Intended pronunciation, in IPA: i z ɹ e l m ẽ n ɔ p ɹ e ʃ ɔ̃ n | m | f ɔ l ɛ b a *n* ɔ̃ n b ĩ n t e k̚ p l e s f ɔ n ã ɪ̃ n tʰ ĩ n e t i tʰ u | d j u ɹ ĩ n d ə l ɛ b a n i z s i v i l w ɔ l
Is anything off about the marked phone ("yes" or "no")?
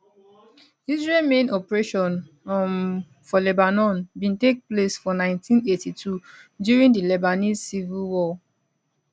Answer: no